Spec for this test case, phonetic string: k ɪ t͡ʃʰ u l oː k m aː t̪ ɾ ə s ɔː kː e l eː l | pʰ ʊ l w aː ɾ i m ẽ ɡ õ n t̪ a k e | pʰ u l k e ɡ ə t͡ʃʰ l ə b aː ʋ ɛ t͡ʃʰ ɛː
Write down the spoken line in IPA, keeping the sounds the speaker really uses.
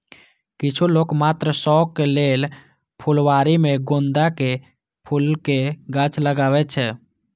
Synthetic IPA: k ɪ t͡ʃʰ u l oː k m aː t̪ ɾ ə s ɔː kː e l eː l | pʰ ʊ l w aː ɾ i m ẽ ɡ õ n d̪ a k e | pʰ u l k e ɡ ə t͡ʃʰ l ə ɡ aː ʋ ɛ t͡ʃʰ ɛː